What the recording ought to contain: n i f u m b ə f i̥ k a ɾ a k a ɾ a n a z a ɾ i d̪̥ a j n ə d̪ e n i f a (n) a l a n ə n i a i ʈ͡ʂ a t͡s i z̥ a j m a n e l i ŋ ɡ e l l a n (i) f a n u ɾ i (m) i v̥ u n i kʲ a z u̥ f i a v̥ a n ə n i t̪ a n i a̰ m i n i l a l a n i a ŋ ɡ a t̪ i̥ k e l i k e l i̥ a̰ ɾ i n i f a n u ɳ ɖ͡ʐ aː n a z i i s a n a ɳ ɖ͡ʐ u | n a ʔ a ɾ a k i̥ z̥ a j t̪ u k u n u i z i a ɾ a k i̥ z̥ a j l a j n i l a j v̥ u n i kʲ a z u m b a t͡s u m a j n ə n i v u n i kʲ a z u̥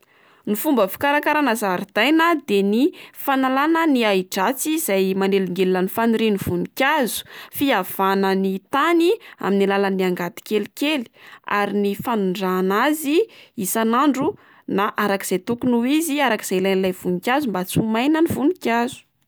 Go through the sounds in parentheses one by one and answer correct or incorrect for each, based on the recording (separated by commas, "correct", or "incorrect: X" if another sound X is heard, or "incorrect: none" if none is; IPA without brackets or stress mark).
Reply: correct, correct, incorrect: n